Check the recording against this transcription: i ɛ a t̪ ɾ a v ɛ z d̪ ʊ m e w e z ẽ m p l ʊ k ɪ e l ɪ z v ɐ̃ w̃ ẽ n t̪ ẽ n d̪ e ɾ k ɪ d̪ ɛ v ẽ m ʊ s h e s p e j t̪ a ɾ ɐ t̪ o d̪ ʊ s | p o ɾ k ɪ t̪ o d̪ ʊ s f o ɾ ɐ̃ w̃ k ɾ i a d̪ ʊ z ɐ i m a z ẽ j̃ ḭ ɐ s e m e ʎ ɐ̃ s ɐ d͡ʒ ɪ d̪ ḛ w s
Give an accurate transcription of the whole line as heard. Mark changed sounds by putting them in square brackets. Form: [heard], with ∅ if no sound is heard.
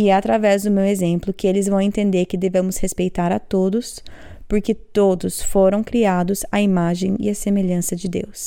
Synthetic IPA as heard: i ɛ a t̪ ɾ a v ɛ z d̪ ʊ m e w e z ẽ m p l ʊ k ɪ e l ɪ z v ɐ̃ w̃ ẽ n t̪ ẽ n d̪ e ɾ k ɪ d̪ [e] v ẽ m ʊ s h e s p e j t̪ a ɾ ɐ t̪ o d̪ ʊ s | p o ɾ k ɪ t̪ o d̪ ʊ s f o ɾ ɐ̃ w̃ k ɾ i a d̪ ʊ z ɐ i m a [ʒ] ẽ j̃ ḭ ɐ s e m e ʎ ɐ̃ s ɐ d͡ʒ ɪ d̪ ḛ w s